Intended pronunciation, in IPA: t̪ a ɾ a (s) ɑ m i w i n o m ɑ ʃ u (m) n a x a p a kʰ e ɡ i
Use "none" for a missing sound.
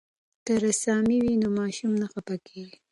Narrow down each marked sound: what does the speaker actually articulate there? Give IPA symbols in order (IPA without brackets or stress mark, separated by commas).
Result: s, m